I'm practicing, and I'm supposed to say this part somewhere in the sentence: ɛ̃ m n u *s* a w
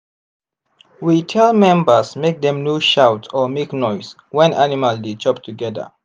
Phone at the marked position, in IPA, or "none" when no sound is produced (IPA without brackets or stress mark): ʃ